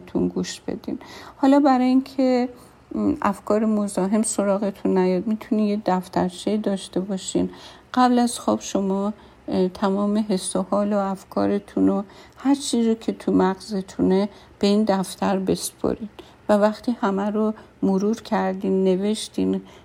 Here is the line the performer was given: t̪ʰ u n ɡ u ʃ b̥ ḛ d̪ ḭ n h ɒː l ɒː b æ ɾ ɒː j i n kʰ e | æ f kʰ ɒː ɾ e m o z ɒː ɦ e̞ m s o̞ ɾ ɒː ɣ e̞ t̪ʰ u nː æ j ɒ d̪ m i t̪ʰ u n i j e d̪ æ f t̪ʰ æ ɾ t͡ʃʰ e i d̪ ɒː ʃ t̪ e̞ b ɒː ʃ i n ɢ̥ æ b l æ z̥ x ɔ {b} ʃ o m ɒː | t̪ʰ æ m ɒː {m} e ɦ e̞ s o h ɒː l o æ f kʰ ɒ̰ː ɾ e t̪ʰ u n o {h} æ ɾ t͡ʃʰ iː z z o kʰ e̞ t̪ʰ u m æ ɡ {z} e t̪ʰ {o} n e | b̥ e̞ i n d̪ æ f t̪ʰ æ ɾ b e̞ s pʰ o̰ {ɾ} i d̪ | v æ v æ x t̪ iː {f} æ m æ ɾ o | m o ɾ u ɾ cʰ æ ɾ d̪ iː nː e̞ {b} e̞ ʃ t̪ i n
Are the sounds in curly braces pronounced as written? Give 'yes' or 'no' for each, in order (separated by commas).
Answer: yes, yes, yes, yes, no, yes, no, no